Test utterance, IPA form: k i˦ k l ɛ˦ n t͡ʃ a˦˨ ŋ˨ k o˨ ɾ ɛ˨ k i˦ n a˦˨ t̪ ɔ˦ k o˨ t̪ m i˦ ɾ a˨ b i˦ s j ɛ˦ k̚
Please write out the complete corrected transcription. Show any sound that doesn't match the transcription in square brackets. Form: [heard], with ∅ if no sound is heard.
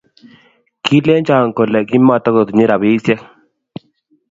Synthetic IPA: k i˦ [∅] l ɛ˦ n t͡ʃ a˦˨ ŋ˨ k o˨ [l] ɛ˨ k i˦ [m] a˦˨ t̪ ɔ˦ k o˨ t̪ [ɲ] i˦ ɾ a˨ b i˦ s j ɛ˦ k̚